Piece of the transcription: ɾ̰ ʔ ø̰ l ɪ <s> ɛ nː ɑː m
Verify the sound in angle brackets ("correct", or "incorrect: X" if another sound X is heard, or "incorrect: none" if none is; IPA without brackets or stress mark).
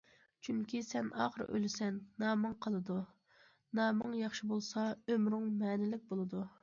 correct